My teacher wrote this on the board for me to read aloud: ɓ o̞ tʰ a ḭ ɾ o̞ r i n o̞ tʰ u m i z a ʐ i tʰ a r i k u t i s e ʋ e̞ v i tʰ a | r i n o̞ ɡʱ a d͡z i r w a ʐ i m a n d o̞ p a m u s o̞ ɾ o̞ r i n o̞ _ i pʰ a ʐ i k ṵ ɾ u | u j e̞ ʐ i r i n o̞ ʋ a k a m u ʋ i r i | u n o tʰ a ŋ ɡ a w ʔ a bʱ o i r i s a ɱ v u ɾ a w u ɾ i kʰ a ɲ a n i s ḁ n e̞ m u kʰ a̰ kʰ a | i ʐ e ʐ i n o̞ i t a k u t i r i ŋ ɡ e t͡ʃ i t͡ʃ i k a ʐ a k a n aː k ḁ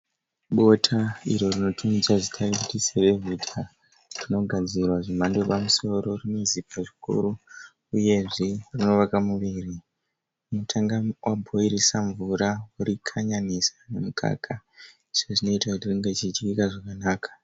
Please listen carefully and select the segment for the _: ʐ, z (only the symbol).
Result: z